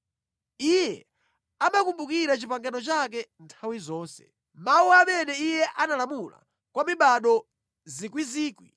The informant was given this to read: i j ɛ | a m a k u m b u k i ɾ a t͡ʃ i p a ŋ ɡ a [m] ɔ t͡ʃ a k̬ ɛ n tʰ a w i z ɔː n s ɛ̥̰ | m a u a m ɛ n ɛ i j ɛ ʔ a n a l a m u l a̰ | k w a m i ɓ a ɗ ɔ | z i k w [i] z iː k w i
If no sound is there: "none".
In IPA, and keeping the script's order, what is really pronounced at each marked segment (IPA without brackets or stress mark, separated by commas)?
n, i